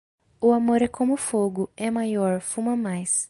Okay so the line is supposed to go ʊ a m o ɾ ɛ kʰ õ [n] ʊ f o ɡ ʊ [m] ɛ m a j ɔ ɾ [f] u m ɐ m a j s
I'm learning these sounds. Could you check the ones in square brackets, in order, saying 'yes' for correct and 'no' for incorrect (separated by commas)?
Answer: no, no, yes